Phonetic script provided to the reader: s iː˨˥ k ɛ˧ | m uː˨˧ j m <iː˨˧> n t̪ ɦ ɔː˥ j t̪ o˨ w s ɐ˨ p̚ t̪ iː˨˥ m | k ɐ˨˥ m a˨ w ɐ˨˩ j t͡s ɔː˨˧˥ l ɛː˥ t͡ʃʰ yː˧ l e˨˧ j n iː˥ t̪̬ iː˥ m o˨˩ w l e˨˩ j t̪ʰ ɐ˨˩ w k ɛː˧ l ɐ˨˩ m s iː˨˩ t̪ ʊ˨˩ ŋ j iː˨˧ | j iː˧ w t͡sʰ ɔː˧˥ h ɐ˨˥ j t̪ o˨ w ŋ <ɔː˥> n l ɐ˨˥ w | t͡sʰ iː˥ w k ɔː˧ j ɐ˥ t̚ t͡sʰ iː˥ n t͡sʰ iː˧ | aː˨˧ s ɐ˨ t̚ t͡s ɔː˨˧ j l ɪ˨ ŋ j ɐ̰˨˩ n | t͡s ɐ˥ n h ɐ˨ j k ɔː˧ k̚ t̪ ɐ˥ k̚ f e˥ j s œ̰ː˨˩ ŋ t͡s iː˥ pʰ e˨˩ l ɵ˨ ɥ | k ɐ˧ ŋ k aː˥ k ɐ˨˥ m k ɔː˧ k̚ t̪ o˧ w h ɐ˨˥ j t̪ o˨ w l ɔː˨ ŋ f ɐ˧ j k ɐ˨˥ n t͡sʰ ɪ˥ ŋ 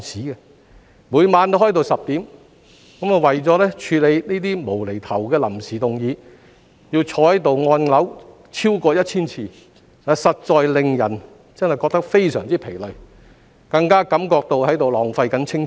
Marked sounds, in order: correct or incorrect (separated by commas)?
incorrect, incorrect